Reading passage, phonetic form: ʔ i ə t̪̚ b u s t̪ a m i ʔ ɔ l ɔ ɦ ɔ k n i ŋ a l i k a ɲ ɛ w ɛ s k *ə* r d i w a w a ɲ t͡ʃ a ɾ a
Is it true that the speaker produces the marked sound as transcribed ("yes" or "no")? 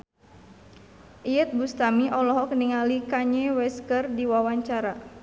yes